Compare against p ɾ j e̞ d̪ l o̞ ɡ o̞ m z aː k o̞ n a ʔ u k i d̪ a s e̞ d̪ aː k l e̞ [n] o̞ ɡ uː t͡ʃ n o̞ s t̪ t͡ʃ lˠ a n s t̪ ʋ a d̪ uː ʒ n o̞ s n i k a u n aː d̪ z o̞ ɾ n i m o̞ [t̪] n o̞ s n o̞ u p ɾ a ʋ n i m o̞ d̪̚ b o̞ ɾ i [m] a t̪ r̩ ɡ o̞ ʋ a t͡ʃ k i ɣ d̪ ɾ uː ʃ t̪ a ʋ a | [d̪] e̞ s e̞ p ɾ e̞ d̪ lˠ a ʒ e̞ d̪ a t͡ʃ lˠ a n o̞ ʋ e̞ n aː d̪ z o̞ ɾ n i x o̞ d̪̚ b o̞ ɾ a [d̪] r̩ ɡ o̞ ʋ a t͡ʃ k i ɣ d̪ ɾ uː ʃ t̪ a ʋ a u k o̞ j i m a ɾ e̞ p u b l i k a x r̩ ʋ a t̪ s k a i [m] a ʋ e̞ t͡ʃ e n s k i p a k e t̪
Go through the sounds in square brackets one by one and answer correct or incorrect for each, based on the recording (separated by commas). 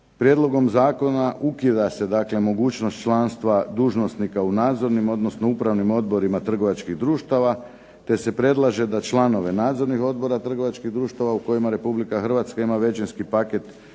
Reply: incorrect, incorrect, correct, incorrect, incorrect, correct